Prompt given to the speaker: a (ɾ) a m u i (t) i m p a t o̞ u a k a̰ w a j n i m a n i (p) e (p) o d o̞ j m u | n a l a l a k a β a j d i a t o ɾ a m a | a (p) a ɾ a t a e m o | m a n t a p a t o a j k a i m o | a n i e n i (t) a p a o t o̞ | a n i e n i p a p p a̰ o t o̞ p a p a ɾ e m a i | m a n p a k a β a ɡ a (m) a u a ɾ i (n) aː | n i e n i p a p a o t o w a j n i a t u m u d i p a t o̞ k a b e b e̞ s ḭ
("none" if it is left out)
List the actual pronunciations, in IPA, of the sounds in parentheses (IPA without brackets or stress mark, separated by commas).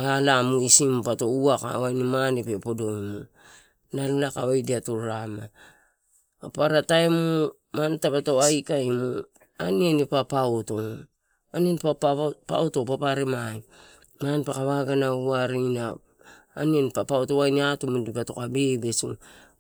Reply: l, s, p, p, p, p, n, n